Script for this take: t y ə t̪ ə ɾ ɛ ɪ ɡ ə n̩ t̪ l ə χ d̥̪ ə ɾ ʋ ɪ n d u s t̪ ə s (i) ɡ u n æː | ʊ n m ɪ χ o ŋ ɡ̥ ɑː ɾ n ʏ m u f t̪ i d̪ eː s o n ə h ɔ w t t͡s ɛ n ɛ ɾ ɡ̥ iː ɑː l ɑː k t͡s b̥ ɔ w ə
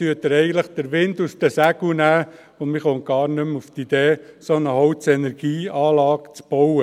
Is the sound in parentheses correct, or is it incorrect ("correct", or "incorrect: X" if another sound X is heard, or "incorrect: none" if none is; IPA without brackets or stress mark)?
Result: incorrect: æ